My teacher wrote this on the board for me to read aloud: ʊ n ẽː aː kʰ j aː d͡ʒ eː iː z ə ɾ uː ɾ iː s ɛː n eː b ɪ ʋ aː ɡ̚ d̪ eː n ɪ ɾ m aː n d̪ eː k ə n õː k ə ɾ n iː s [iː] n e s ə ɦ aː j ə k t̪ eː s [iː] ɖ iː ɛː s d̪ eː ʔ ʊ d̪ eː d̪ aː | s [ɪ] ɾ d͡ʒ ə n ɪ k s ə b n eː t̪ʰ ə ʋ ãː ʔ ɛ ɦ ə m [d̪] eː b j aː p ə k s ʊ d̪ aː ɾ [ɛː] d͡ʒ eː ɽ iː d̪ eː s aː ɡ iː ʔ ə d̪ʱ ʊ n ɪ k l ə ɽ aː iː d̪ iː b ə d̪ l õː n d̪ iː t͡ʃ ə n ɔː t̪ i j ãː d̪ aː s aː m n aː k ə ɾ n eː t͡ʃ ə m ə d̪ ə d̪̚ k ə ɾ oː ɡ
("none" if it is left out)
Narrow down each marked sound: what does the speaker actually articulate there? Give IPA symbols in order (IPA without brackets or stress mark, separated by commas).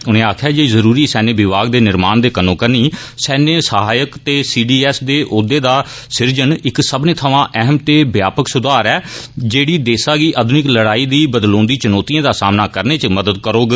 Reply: ɛː, iː, ɪ, t̪, ɛː